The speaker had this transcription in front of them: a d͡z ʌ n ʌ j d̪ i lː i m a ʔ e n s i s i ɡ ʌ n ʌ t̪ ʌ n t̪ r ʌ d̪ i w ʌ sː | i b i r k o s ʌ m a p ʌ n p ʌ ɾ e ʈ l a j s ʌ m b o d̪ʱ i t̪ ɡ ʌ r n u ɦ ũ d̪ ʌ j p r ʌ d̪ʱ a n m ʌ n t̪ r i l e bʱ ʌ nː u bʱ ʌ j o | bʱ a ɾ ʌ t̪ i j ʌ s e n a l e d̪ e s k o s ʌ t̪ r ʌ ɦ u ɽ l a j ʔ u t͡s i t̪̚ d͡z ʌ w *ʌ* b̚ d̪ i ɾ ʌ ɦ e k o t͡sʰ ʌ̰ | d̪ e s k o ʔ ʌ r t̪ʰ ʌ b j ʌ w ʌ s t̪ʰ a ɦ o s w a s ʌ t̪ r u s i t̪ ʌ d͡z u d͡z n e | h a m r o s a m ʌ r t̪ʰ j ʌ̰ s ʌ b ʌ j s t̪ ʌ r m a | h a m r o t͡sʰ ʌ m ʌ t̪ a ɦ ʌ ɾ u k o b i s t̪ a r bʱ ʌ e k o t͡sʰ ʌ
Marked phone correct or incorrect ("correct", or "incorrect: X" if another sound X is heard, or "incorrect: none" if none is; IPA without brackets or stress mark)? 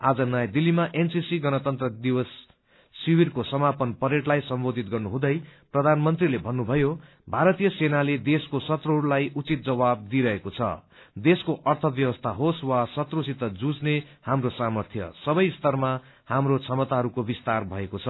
incorrect: a